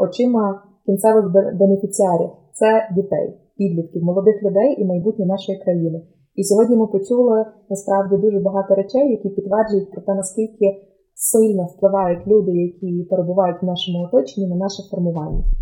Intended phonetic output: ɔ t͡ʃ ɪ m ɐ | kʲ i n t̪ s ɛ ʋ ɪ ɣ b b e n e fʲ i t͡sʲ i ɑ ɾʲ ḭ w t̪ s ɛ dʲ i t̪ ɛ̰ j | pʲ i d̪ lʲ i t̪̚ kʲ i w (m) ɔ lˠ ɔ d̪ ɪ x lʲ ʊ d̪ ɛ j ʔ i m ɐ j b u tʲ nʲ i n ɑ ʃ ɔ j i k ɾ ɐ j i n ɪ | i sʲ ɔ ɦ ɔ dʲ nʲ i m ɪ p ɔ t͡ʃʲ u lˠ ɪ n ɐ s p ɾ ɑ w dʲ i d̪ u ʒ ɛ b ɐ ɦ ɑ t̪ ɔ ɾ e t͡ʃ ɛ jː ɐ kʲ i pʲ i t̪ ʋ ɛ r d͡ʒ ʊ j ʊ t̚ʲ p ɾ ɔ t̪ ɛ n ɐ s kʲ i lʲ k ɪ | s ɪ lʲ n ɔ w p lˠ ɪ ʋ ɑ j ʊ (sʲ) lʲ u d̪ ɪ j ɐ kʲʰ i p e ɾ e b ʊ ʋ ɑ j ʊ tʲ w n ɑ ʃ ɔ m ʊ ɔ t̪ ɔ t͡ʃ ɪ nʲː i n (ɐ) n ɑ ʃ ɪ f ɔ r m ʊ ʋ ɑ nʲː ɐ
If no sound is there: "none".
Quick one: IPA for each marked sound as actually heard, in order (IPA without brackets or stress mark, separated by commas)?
m, tʲ, ɐ